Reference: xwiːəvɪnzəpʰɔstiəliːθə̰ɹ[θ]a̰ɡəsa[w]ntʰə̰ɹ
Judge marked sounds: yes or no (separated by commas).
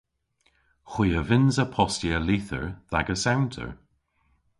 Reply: no, yes